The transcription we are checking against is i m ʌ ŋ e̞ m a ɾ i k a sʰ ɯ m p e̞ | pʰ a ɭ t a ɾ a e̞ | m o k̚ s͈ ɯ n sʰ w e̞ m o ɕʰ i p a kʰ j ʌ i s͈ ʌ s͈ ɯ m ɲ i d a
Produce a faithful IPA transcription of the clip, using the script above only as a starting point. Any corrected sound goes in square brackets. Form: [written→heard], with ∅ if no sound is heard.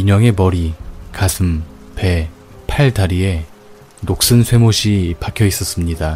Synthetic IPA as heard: i [m→ɲ] ʌ ŋ e̞ m [a→ʌ] ɾ i k a sʰ ɯ m p e̞ | pʰ a ɭ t a ɾ [a→i] e̞ | [m→n] o k̚ s͈ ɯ n sʰ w e̞ m o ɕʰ i p a kʰ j ʌ i s͈ ʌ s͈ ɯ m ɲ i d a